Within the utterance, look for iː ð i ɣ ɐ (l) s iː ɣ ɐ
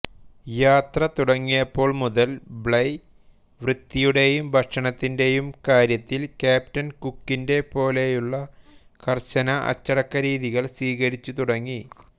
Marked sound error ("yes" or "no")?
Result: yes